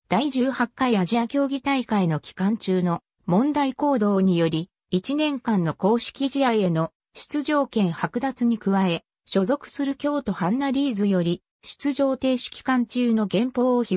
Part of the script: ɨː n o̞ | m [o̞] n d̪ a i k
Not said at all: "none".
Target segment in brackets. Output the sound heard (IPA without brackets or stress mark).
õ̞